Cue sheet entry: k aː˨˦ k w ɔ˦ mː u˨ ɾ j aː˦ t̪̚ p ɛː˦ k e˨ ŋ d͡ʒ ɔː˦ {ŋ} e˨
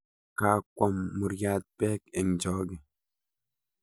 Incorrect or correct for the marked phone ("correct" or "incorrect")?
incorrect